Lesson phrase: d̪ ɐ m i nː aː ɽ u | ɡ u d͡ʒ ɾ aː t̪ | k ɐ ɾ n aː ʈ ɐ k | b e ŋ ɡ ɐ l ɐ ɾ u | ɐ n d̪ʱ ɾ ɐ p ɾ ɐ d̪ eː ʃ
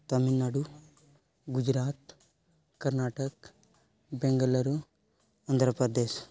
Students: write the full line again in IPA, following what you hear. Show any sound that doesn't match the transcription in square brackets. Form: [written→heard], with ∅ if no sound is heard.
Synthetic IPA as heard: [d̪→t̪] ɐ m i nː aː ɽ u | ɡ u d͡ʒ ɾ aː t̪ | k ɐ ɾ n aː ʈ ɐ k | b e ŋ ɡ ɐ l ɐ ɾ u | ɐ n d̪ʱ ɾ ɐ p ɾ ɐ d̪ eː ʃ